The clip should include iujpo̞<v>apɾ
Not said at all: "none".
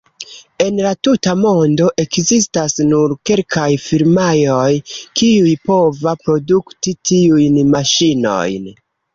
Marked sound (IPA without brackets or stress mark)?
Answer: v